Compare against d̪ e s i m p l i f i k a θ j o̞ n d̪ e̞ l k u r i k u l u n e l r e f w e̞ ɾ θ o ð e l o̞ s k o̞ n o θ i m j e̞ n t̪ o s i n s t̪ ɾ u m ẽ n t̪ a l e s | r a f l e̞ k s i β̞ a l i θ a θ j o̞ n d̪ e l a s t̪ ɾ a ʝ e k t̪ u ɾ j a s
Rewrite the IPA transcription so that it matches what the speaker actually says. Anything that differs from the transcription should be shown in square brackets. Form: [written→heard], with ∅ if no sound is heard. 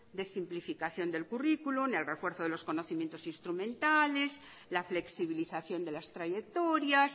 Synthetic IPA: d̪ e s i m p l i f i k a θ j o̞ n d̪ e̞ l k u r i k u l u n e l r e f w e̞ ɾ θ o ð e l o̞ s k o̞ n o θ i m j e̞ n t̪ o s i n s t̪ ɾ u m ẽ n t̪ a l e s | [r→l] a f l e̞ k s i β̞ [a→i] l i θ a θ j o̞ n d̪ e l a s t̪ ɾ a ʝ e k t̪ [u→o] ɾ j a s

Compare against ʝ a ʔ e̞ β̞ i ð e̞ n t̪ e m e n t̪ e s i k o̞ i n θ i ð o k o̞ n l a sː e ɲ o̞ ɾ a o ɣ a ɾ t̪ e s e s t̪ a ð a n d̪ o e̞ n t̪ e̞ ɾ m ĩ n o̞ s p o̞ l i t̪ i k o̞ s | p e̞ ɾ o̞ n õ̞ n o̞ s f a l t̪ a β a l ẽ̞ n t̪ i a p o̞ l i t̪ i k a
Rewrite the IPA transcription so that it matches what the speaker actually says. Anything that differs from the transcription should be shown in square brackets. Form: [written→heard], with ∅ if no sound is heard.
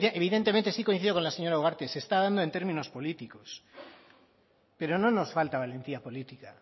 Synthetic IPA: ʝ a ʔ e̞ β̞ i ð e̞ n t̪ e m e n t̪ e s i k o̞ i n θ i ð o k o̞ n l a [sː→s] e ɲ o̞ ɾ a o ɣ a ɾ t̪ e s e s t̪ a ð a n d̪ o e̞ n t̪ e̞ ɾ m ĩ n o̞ s p o̞ l i t̪ i k o̞ s | p e̞ ɾ o̞ n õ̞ n o̞ s f a l t̪ a β a l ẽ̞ n t̪ i a p o̞ l i t̪ i k a

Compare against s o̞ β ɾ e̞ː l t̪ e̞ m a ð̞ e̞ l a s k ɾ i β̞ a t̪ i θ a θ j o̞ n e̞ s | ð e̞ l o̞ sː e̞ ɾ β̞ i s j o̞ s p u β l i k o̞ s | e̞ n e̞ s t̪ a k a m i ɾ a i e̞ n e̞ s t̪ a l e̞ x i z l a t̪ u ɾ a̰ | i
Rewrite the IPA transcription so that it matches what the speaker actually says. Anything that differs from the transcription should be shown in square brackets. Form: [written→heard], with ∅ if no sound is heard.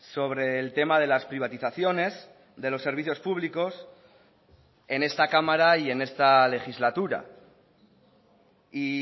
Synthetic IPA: s o̞ β ɾ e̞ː l t̪ e̞ m a ð̞ e̞ l a s [k→p] ɾ i β̞ a t̪ i θ a θ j o̞ n e̞ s | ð e̞ l o̞ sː e̞ ɾ β̞ i [s→θ] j o̞ s p u β l i k o̞ s | e̞ n e̞ s t̪ a k a m [i→a] ɾ a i e̞ n e̞ s t̪ a l e̞ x i z l a t̪ u ɾ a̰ | i

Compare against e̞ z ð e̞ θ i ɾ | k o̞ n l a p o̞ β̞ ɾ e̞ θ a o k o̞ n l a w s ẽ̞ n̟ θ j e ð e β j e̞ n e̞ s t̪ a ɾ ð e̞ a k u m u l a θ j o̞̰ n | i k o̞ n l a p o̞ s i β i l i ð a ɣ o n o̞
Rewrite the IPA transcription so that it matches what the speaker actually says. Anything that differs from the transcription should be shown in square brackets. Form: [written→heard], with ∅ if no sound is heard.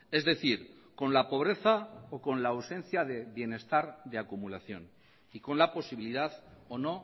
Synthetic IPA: e̞ z ð e̞ θ i ɾ | k o̞ n l a p o̞ β̞ ɾ e̞ θ a o k o̞ n l a w s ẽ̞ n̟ θ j [e→a] ð e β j e̞ n e̞ s t̪ a ɾ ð e̞ a k u m u l a θ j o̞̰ n | i k o̞ n l a p o̞ s i β i l i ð a [ɣ→ð] o n o̞

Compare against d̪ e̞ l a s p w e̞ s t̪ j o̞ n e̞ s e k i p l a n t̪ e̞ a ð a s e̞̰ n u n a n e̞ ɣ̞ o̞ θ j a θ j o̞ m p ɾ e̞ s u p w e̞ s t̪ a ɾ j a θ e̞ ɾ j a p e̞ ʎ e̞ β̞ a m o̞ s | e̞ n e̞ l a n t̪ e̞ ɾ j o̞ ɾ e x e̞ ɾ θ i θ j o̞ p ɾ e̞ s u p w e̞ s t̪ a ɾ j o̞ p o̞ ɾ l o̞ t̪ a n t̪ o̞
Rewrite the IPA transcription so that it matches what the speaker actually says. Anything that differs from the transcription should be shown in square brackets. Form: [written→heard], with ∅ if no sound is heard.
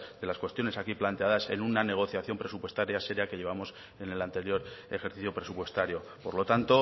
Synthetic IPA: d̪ e̞ l a s [p→k] w e̞ s t̪ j o̞ n e̞ s [e→a] k i p l a n t̪ e̞ a ð a s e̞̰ n u n a n e̞ ɣ̞ o̞ θ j a θ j o̞ m p ɾ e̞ s u p w e̞ s t̪ a ɾ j a [θ→s] e̞ ɾ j a [p→k] e̞ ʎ e̞ β̞ a m o̞ s | e̞ n e̞ l a n t̪ e̞ ɾ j o̞ ɾ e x e̞ ɾ θ i θ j o̞ p ɾ e̞ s u p w e̞ s t̪ a ɾ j o̞ p o̞ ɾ l o̞ t̪ a n t̪ o̞

